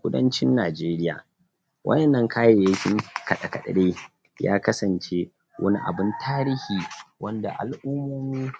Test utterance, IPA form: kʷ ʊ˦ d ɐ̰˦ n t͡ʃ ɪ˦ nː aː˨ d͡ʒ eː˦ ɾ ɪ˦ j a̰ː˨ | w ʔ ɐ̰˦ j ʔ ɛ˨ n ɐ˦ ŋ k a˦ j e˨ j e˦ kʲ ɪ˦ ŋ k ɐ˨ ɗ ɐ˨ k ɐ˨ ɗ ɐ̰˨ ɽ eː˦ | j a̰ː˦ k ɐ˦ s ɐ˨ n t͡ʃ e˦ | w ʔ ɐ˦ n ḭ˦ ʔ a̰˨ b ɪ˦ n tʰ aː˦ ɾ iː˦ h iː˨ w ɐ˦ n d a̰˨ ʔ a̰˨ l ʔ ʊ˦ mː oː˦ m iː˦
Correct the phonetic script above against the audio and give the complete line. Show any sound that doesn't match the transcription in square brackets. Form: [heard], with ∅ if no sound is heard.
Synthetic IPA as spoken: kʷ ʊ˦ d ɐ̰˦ n t͡ʃ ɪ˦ nː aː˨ d͡ʒ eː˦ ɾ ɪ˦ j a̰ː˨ | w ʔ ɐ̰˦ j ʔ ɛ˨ [nː] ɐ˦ ŋ k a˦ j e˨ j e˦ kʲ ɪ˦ ŋ k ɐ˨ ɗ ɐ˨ k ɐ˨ ɗ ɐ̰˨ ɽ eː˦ | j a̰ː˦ k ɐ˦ s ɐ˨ n t͡ʃ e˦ | w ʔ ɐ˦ n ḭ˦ ʔ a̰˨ b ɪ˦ n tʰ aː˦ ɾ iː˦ h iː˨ w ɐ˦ n d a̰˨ ʔ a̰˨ l ʔ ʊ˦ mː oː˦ m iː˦